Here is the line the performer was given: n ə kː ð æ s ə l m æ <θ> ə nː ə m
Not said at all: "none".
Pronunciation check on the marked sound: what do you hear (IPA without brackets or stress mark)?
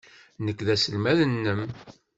ð